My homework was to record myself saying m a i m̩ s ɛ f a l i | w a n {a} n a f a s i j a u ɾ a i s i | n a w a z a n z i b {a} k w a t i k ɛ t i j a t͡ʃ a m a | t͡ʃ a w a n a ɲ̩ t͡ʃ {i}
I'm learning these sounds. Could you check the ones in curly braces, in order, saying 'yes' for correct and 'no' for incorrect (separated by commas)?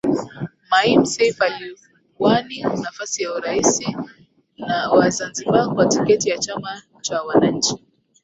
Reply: no, yes, yes